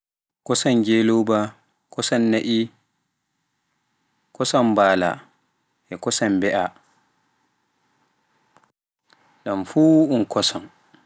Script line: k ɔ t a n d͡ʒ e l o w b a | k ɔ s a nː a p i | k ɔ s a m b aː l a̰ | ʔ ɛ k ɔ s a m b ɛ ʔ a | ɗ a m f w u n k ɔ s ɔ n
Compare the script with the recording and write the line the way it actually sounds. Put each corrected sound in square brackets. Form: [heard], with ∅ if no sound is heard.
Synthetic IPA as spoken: k ɔ [s] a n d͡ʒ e l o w b a | k ɔ s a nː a [ʔ] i | k ɔ s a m b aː l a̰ | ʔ ɛ k ɔ s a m b ɛ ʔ a | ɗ a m f [u] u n k ɔ s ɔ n